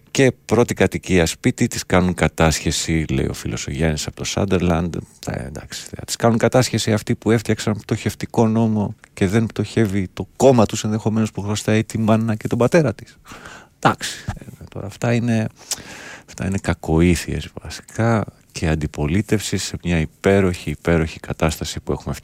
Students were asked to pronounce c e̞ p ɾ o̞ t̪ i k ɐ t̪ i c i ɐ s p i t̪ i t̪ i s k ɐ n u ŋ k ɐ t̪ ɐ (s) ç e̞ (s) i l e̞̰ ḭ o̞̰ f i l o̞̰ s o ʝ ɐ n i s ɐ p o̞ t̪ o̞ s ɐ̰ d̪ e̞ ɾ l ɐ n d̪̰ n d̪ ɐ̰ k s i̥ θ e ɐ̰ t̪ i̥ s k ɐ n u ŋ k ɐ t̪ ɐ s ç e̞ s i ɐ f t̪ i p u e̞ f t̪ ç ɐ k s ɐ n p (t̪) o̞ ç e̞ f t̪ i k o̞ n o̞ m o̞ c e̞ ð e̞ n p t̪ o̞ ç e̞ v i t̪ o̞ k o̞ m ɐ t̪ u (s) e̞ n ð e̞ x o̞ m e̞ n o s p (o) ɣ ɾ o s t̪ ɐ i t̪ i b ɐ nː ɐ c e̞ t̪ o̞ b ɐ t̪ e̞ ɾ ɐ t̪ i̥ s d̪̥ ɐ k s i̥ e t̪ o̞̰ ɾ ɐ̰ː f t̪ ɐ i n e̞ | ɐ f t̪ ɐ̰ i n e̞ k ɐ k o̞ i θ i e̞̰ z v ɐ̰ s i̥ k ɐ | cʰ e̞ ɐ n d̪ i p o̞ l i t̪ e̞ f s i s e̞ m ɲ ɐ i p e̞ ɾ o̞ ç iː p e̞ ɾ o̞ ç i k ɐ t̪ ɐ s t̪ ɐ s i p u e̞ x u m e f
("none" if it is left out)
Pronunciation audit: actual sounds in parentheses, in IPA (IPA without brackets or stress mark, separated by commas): s, s, t̪, s, u